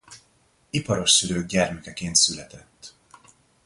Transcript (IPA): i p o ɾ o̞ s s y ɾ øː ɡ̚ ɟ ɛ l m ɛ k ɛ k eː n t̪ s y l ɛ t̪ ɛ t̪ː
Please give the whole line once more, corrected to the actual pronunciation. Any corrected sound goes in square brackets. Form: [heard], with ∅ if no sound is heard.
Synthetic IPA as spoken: i p [ɒ] ɾ o̞ [ʃ] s y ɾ øː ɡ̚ ɟ ɛ [r] m ɛ k ɛ k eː n t̪ s y l ɛ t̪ ɛ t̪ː